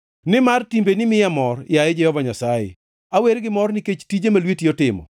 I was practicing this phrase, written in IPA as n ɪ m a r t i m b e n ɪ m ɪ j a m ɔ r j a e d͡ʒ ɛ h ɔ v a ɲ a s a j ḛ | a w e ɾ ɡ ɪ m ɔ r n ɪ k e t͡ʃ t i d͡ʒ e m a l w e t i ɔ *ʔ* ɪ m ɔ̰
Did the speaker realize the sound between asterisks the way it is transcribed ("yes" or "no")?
no